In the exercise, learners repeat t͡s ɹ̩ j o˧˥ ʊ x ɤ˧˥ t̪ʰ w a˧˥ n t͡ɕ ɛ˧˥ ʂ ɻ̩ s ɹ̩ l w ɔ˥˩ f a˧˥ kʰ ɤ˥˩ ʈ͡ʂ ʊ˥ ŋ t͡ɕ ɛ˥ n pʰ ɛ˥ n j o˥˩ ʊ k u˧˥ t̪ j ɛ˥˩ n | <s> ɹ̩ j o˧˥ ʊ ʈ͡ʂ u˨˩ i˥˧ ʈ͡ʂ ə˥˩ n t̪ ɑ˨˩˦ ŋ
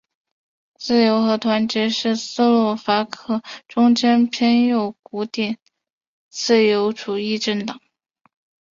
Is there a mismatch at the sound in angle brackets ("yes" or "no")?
yes